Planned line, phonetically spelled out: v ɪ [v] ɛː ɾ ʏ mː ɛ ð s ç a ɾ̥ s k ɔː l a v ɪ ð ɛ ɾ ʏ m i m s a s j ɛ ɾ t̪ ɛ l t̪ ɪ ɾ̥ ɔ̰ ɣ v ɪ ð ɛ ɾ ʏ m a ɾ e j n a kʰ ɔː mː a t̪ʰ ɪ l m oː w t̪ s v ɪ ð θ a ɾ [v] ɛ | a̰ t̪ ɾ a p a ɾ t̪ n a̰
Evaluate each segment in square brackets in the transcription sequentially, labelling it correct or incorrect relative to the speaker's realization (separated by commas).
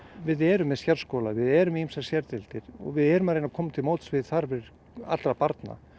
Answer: incorrect, correct